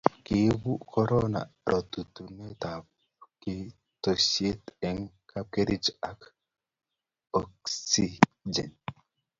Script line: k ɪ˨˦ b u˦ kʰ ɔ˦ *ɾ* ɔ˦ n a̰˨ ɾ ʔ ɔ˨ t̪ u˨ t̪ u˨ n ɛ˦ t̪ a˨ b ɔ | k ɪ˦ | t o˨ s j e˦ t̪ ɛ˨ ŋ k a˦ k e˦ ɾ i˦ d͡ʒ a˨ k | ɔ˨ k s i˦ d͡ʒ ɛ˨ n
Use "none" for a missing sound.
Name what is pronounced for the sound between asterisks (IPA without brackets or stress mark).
ɾ